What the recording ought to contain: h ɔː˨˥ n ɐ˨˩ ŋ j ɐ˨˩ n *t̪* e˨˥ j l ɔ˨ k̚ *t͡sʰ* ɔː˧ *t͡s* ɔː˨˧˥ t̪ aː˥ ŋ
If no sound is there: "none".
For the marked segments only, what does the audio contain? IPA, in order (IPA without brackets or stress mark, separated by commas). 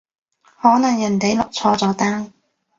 t̪, t͡sʰ, t͡s